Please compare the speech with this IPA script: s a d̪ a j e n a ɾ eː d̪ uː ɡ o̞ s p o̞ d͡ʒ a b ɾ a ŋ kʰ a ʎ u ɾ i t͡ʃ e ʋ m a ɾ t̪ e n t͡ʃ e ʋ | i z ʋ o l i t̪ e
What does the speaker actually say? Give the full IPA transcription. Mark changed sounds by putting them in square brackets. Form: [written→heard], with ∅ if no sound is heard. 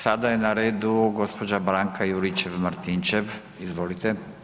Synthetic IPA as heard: s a d̪ a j e n a ɾ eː d̪ [uː→u] ɡ o̞ s p o̞ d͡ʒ a b ɾ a ŋ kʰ a [ʎ→j] u ɾ i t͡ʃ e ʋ m a ɾ t̪ [e→i] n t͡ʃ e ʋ | i z ʋ o l i t̪ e